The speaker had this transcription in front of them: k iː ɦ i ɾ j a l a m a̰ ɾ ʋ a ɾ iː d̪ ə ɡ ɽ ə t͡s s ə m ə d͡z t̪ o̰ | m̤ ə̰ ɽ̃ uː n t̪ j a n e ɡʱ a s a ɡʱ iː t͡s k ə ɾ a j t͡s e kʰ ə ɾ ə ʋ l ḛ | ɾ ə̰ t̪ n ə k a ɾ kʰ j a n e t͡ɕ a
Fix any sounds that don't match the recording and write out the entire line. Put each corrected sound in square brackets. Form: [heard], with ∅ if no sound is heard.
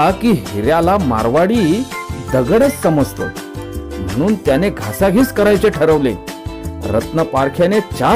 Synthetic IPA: k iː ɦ i ɾ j a l a m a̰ ɾ ʋ a [ɽ] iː d̪ ə ɡ ɽ ə t͡s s ə m ə d͡z t̪ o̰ | m̤ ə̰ ɽ̃ uː n t̪ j a n e ɡʱ a s a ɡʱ iː t͡s k ə ɾ a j t͡s e [ʈʰ] ə ɾ ə ʋ l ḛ | ɾ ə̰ t̪ n ə [p] a ɾ kʰ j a n e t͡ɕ a